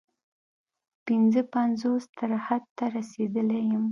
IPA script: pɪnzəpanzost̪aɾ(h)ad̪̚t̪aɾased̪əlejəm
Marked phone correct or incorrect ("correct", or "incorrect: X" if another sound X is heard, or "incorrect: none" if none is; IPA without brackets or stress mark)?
correct